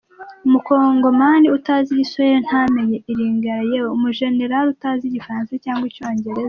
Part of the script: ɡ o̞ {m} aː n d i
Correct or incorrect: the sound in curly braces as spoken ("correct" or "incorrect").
correct